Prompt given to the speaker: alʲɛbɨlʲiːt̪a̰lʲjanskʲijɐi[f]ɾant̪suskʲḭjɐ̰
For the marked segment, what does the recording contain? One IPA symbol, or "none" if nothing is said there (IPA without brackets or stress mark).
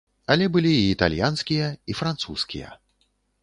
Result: f